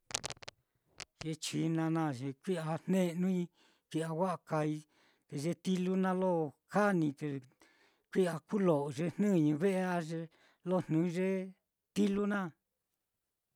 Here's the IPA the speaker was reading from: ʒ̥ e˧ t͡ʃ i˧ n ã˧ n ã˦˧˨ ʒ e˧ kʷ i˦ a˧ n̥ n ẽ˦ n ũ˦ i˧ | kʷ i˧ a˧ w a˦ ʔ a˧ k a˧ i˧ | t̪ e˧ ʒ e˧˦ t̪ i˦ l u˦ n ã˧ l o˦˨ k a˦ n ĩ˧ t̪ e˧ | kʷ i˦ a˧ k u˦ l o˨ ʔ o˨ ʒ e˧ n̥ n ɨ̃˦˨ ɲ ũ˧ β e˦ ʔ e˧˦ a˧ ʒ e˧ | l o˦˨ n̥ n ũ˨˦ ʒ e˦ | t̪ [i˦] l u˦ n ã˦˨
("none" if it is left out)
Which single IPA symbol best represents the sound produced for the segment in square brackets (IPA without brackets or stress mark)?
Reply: i˦